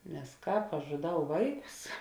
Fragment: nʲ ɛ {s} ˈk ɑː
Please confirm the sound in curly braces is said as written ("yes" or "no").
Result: yes